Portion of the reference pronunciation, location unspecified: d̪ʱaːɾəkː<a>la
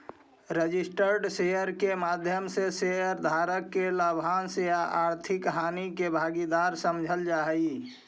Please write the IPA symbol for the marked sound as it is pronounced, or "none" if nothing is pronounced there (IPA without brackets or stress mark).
e